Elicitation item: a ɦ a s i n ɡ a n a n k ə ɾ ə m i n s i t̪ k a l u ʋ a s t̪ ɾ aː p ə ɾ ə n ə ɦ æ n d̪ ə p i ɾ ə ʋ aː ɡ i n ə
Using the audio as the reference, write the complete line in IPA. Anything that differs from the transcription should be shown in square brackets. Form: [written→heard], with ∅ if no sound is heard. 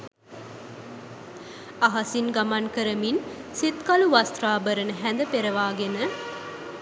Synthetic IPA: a ɦ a s i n ɡ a [n→m] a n k ə ɾ ə m i n s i t̪ k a l u ʋ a s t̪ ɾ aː [p→b] ə ɾ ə n ə ɦ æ n d̪ ə p [i→e] ɾ ə ʋ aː ɡ [i→e] n ə